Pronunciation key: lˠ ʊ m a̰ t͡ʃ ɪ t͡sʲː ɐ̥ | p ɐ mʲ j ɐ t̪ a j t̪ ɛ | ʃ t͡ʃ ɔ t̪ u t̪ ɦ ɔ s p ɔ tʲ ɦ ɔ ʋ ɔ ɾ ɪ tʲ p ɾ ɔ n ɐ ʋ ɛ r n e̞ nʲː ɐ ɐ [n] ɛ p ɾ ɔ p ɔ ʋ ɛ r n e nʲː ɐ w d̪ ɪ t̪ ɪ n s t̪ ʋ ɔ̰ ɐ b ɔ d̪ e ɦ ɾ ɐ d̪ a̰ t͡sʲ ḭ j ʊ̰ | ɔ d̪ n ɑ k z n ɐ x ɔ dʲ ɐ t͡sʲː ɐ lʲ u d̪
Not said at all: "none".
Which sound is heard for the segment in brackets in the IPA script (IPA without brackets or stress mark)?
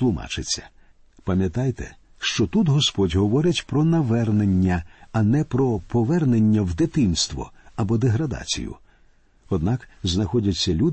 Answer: n